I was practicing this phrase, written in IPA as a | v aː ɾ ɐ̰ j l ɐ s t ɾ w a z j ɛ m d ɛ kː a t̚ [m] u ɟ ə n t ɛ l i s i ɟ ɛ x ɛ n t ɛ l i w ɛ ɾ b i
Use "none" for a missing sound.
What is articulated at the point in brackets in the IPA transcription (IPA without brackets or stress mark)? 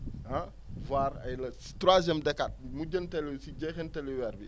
m